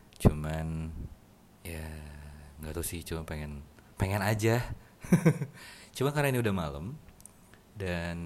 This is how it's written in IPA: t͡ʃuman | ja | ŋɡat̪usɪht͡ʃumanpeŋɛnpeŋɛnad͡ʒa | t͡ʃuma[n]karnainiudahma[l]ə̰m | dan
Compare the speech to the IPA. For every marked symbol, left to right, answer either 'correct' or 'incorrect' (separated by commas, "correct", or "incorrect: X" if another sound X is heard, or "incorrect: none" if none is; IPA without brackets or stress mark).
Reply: correct, correct